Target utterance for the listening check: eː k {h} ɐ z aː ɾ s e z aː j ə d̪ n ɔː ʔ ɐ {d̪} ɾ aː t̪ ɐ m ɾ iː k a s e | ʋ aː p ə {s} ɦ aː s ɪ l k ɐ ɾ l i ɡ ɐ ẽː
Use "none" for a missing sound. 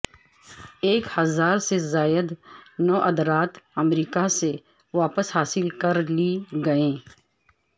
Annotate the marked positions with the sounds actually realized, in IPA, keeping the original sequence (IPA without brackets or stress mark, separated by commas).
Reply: h, d̪, s